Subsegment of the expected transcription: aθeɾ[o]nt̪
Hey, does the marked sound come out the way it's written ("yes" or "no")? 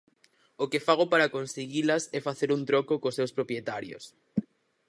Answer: no